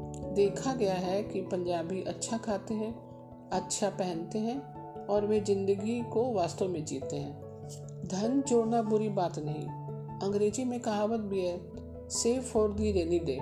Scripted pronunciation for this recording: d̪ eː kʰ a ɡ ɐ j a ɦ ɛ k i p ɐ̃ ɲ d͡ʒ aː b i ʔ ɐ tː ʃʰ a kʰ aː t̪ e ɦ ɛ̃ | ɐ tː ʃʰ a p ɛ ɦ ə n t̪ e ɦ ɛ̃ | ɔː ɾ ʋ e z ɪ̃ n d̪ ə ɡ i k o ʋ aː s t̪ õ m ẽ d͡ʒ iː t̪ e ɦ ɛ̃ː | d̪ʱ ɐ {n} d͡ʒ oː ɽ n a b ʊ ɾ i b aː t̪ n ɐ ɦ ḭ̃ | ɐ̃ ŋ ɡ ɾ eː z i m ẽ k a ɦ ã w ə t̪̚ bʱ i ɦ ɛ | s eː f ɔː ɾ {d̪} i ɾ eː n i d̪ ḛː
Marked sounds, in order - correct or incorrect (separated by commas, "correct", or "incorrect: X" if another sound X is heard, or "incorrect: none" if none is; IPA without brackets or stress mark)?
correct, correct